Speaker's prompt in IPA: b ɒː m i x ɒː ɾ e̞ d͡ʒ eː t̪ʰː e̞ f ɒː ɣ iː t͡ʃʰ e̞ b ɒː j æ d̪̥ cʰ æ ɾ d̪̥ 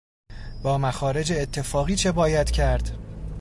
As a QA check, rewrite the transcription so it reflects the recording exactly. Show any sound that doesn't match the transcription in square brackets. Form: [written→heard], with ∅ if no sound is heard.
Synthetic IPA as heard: b ɒː m [i→æ] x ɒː ɾ e̞ d͡ʒ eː t̪ʰː e̞ f ɒː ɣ iː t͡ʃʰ e̞ b ɒː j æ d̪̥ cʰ æ ɾ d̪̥